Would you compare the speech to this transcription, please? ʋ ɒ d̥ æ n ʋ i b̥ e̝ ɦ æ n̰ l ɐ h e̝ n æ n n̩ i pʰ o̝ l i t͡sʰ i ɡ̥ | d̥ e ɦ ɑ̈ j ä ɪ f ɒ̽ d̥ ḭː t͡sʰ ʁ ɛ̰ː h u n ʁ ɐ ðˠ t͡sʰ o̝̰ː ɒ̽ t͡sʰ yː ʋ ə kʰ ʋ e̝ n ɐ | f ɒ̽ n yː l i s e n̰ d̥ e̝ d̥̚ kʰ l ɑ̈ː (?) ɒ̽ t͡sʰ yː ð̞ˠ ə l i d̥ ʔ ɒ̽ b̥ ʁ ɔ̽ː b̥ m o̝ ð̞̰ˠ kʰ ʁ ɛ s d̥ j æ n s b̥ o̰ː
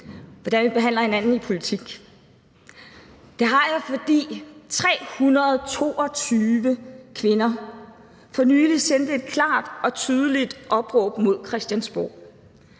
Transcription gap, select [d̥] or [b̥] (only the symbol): d̥